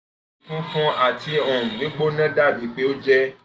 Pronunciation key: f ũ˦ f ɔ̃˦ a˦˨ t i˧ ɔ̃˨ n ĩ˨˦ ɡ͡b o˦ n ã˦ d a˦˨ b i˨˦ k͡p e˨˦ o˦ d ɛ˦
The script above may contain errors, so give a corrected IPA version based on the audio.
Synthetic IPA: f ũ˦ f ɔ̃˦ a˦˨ t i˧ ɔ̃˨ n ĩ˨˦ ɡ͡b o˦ n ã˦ d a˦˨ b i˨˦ k͡p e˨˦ o˦ d͡ʒ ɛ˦